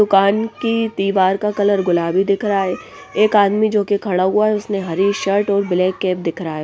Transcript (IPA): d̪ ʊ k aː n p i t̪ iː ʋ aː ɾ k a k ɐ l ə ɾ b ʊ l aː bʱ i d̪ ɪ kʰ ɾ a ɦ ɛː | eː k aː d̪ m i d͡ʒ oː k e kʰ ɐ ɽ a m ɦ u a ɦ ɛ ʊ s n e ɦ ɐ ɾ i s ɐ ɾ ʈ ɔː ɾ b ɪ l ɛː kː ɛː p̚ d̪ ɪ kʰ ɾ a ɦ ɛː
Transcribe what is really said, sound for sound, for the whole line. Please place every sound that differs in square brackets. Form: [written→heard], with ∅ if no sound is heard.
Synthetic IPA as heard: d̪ ʊ k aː n [p→k] i t̪ iː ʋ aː ɾ k a k ɐ l ə ɾ [b→ɡ] ʊ l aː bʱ i d̪ ɪ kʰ ɾ a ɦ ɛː | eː k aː d̪ m i d͡ʒ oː k e kʰ ɐ ɽ a [m→∅] ɦ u a ɦ ɛ ʊ s n e ɦ ɐ ɾ i [s→ʃ] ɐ ɾ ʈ ɔː ɾ b ɪ l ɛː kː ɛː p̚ d̪ ɪ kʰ ɾ a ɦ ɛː